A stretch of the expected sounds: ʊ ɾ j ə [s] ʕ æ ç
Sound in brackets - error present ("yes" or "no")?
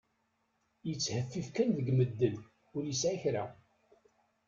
no